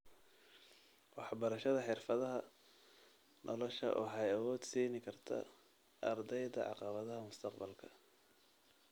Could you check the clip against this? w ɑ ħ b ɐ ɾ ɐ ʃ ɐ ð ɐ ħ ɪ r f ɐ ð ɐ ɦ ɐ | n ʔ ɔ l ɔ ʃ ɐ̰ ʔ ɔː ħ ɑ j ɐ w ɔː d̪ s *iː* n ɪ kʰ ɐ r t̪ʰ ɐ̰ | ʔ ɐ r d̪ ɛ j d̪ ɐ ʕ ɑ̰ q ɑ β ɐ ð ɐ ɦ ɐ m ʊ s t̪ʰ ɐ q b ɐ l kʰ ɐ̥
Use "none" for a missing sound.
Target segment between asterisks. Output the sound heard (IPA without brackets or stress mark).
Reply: iː